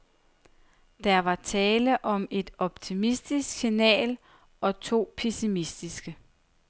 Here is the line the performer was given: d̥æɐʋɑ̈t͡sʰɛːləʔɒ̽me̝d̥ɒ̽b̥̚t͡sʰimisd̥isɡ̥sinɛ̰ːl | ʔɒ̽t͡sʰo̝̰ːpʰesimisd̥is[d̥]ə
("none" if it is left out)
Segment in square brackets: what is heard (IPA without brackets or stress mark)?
ɡ̥